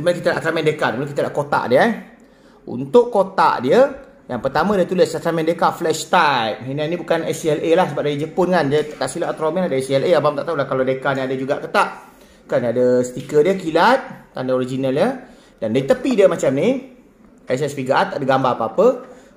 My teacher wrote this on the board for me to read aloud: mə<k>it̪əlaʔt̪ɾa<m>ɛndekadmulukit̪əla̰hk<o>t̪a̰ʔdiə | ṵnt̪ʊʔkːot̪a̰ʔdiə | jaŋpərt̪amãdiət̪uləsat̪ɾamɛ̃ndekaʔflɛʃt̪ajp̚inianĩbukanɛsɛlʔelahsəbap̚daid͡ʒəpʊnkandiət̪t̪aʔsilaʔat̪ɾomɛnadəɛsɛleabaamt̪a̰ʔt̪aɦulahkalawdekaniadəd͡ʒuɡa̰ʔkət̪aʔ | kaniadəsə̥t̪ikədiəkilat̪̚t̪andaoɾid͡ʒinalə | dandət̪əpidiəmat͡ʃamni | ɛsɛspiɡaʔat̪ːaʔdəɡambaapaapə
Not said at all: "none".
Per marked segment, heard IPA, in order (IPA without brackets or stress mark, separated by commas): k, m, o